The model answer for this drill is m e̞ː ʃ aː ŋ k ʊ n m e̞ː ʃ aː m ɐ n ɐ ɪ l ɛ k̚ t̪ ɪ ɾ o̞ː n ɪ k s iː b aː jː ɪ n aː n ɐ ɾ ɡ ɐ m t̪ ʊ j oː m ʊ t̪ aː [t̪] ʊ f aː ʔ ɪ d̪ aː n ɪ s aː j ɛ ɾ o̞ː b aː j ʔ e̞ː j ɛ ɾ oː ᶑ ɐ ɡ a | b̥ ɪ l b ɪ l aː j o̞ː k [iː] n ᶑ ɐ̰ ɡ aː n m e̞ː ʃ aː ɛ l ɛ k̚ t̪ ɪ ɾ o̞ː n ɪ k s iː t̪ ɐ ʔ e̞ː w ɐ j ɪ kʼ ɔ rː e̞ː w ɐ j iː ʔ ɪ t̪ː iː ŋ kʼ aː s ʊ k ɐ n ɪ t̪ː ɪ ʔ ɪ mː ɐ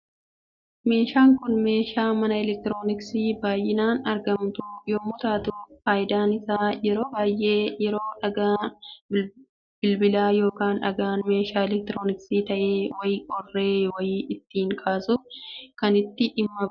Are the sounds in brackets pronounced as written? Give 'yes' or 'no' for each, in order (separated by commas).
yes, no